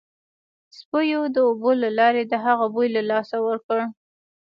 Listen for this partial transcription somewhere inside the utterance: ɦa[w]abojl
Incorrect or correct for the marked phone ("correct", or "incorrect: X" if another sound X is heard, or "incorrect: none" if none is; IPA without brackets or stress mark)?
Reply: incorrect: ɣ